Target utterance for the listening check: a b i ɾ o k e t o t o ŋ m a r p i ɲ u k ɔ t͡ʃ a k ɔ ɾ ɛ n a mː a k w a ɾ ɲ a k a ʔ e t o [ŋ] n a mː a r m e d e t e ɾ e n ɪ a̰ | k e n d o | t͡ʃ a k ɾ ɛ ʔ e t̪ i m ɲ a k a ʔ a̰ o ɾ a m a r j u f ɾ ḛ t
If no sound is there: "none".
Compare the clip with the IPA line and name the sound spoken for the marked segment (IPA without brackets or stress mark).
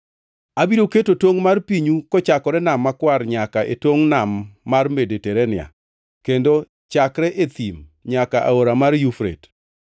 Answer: ŋ